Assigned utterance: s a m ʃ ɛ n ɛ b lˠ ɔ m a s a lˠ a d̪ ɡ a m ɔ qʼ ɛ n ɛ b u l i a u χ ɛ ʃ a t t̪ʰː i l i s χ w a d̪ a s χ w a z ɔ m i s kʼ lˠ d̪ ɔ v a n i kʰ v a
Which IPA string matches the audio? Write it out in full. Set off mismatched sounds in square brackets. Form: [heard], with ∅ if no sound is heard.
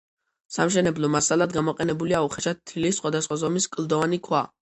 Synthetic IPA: s a m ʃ ɛ n ɛ b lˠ ɔ m a s a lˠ a d̪ ɡ a m ɔ qʼ ɛ n ɛ b u l i a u χ ɛ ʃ a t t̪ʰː i l i s χ w a d̪ a s χ w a z ɔ m i s kʼ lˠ d̪ ɔ v a n i kʰ [w] a